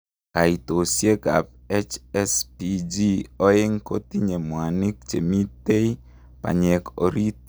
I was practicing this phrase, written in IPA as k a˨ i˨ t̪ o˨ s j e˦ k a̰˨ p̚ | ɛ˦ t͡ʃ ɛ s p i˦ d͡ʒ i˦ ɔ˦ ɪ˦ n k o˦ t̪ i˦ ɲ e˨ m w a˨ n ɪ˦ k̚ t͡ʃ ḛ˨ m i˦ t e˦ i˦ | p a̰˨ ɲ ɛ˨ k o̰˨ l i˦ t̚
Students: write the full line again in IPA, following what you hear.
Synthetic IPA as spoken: k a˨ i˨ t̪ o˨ s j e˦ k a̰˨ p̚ | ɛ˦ t͡ʃ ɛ s p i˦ d͡ʒ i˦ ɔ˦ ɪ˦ ŋ k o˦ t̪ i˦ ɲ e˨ m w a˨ n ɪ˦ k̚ t͡ʃ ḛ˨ m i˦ t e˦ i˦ | p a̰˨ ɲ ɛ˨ k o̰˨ ɾ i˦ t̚